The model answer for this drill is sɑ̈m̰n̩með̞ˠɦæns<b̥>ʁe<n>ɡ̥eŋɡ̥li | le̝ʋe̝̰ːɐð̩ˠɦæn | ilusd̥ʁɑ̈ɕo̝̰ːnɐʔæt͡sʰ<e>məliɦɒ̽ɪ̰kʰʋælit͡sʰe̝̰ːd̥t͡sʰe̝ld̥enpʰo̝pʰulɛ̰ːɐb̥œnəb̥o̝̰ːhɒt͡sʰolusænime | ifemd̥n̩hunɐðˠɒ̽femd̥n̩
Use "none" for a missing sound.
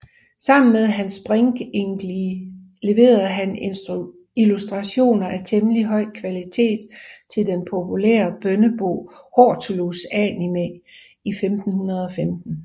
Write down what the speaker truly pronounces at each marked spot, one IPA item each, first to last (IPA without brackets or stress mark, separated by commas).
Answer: b̥, ŋ, e